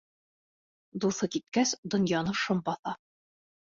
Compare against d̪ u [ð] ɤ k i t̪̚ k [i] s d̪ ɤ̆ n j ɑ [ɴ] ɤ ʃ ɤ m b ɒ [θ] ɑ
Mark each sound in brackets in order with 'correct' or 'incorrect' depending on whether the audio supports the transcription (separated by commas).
incorrect, incorrect, incorrect, correct